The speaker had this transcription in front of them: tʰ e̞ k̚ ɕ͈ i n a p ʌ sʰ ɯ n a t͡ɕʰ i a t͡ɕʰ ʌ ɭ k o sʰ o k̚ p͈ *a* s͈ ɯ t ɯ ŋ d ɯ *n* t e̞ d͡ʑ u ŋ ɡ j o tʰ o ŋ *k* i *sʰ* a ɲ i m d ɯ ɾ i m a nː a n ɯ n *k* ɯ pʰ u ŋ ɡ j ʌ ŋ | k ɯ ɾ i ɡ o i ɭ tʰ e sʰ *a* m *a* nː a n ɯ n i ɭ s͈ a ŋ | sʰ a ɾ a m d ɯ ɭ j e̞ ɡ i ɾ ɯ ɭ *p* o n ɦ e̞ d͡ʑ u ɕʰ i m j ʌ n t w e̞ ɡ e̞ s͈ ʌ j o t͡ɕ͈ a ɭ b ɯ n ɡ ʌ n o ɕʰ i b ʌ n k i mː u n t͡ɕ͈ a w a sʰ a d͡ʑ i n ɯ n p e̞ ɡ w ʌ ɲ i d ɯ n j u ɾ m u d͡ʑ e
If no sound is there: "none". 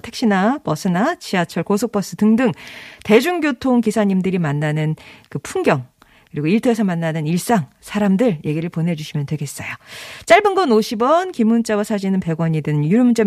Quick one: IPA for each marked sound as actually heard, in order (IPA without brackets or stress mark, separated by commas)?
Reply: ʌ, ŋ, k, sʰ, k, ʌ, a, p